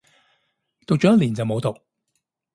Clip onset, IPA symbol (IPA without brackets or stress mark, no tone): t̪